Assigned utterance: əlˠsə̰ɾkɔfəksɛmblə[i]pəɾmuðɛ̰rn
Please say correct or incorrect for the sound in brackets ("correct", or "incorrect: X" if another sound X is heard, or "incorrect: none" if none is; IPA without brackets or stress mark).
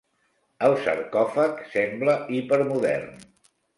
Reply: correct